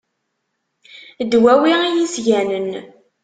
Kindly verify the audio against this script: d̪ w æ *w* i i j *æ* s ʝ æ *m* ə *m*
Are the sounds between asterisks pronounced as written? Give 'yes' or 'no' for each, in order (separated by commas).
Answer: yes, no, no, no